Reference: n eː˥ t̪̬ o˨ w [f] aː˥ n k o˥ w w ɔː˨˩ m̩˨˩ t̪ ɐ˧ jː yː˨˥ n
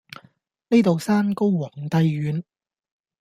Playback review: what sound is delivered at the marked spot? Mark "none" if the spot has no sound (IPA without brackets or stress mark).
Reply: s